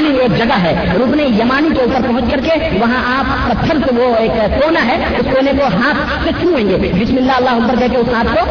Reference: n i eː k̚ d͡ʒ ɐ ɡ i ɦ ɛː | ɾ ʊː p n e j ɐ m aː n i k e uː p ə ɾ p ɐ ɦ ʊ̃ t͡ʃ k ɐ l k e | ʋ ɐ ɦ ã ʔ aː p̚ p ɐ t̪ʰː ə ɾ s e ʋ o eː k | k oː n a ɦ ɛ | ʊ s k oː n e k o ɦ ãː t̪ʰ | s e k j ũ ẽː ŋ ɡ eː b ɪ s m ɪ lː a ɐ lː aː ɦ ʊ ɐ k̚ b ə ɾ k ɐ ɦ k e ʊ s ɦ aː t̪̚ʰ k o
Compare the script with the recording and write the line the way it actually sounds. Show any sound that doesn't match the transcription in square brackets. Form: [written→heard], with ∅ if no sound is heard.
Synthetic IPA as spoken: n i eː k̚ d͡ʒ ɐ ɡ [i→a] ɦ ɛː | ɾ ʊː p n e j ɐ m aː n i k e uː p ə ɾ p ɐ ɦ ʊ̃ t͡ʃ k ɐ [l→ɾ] k e | ʋ ɐ ɦ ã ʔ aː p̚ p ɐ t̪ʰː ə ɾ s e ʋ o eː k | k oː n a ɦ ɛ | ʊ s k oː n e k o ɦ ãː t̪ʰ | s e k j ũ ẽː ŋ ɡ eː b ɪ s m ɪ lː a ɐ lː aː ɦ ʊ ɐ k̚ b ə ɾ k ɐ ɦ k e ʊ s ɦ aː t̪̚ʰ k o